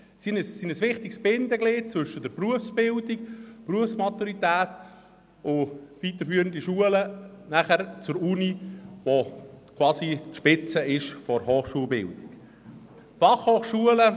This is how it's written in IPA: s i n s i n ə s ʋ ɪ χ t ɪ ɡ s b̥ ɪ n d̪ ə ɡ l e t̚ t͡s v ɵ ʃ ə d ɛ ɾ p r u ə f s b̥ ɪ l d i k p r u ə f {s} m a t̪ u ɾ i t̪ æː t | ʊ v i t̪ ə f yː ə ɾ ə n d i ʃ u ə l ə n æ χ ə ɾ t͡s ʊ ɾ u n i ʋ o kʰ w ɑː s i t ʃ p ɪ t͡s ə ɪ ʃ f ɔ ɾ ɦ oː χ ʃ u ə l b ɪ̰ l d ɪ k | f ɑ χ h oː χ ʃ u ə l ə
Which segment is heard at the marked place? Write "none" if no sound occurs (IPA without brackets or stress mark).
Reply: s